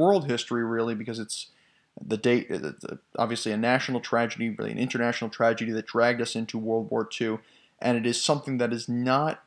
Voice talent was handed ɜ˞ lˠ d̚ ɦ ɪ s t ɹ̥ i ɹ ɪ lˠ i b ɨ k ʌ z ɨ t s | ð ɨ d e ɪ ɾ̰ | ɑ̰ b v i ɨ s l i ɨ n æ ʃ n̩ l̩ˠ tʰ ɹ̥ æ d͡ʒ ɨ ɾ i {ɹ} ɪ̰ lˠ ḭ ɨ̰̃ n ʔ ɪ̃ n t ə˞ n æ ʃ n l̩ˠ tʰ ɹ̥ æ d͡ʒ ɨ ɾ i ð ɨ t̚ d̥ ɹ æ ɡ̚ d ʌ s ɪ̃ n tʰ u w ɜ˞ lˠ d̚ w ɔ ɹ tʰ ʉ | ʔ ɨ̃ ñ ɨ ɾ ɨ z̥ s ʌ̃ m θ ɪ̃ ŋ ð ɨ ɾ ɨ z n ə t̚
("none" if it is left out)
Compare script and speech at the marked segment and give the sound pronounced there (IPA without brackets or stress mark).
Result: ɹ